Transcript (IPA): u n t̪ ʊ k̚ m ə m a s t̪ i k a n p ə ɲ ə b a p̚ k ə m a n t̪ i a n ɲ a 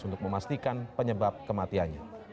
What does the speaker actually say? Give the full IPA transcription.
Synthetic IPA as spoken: u n t̪ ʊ k̚ m ə m a s t̪ i k a n p ə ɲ ə b a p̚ k ə m a t̪ i a n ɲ a